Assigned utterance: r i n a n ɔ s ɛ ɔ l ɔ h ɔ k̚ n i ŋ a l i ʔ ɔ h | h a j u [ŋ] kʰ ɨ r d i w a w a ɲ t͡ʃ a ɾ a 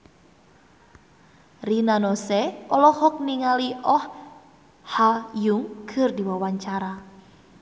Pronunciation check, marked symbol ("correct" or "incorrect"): correct